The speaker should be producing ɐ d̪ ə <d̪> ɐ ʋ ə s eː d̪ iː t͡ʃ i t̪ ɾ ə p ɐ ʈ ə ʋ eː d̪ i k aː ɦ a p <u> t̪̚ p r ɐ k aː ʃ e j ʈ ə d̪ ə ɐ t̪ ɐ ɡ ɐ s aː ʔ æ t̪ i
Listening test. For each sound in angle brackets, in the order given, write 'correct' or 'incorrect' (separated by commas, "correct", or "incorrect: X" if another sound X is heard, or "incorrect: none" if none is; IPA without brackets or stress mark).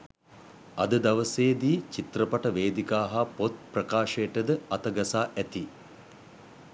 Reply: correct, incorrect: o